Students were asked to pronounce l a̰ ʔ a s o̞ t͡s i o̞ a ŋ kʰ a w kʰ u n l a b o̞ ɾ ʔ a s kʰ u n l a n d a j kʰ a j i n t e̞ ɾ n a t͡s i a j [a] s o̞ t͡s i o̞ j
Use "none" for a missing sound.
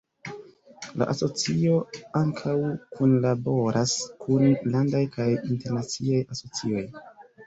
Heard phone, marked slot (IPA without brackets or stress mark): a